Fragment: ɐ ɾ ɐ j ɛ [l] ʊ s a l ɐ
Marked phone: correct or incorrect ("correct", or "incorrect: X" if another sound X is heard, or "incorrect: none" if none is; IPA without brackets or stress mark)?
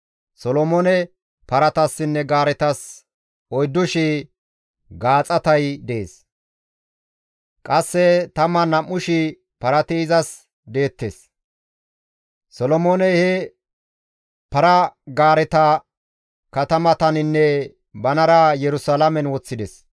incorrect: ɾ